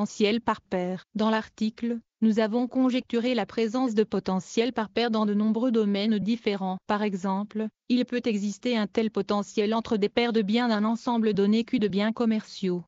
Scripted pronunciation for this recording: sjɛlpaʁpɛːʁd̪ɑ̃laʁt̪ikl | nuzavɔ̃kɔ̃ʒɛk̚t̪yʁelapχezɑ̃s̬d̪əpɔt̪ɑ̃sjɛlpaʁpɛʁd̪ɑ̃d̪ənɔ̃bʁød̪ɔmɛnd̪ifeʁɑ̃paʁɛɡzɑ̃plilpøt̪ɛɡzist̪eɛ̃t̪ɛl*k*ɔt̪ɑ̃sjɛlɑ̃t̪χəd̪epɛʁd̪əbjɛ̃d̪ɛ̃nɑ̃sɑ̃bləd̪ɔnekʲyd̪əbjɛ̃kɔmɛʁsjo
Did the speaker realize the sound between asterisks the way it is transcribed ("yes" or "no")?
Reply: no